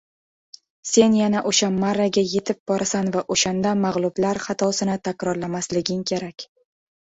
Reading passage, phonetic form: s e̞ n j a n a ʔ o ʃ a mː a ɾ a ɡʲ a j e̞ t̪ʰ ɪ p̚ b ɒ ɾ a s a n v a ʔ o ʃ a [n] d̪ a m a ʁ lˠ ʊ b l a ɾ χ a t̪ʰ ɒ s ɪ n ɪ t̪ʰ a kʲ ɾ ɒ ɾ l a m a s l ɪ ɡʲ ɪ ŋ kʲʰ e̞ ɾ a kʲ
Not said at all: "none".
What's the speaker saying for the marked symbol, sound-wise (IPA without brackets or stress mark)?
n